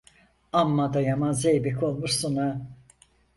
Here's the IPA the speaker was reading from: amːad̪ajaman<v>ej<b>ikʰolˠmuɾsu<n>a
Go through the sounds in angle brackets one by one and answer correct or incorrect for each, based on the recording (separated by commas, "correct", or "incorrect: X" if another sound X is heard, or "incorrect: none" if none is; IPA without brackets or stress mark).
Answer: incorrect: z, correct, correct